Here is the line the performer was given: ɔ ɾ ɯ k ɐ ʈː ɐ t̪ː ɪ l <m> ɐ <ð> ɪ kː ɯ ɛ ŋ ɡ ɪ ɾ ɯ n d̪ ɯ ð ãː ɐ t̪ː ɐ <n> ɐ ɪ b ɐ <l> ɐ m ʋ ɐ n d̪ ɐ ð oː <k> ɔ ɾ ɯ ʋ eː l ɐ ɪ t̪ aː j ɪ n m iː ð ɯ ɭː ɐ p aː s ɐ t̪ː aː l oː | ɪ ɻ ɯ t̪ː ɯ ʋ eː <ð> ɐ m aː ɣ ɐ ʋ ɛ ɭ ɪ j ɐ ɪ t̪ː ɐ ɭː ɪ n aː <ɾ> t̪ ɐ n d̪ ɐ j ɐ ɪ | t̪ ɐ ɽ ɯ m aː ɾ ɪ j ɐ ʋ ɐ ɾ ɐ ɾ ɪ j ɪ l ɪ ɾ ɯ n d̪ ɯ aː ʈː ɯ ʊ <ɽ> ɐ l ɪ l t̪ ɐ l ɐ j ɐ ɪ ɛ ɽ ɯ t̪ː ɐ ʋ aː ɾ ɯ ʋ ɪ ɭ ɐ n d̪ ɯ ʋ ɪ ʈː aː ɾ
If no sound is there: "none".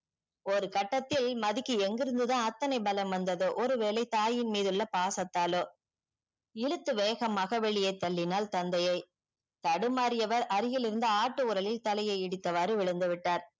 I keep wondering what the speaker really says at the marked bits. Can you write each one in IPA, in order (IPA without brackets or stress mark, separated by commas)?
m, ð, n, l, ʔ, ɣ, l, ɾ